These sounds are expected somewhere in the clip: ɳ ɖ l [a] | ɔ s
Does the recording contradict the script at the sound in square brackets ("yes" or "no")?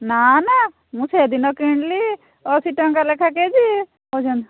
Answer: yes